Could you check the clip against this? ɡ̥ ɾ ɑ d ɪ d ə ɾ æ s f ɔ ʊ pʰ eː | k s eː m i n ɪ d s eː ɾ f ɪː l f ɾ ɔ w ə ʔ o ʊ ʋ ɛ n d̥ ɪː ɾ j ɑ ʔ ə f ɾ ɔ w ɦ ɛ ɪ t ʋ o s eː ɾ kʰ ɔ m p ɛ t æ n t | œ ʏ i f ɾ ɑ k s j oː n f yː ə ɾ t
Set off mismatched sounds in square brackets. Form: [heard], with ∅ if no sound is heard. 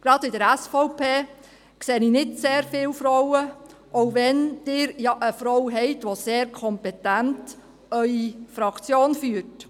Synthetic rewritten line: ɡ̥ ɾ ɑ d ɪ d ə ɾ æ s f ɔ ʊ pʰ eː | k s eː [n] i n ɪ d s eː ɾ f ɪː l f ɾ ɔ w ə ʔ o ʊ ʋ ɛ n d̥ ɪː ɾ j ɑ ʔ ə f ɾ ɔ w ɦ ɛ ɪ t ʋ o s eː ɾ kʰ ɔ m p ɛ t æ n t | œ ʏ i f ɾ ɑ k [t͡s] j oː n f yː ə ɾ t